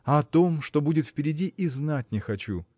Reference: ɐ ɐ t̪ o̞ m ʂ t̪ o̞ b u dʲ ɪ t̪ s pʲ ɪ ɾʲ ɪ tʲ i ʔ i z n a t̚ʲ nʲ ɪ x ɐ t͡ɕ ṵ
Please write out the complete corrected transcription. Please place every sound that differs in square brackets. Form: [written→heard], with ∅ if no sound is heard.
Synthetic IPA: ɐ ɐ t̪ o̞ m ʂ t̪ o̞ b u dʲ ɪ t̪ [s→f] pʲ ɪ ɾʲ ɪ [tʲ→dʲ] i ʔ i z n a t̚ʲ nʲ ɪ x ɐ t͡ɕ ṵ